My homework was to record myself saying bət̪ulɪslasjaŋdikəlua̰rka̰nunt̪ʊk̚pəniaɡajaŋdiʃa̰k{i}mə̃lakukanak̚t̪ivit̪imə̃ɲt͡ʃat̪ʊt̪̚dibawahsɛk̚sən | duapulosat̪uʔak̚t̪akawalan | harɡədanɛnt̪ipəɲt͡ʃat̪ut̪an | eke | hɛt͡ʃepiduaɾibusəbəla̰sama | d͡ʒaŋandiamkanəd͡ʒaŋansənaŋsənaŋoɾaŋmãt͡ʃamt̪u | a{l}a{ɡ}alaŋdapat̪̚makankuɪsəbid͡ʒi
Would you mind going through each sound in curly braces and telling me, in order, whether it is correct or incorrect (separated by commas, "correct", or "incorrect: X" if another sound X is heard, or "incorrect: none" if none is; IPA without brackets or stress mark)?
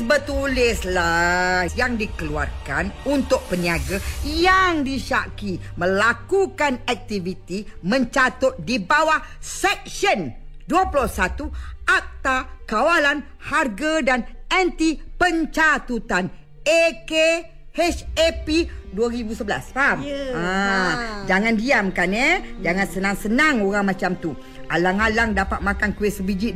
correct, correct, incorrect: ŋ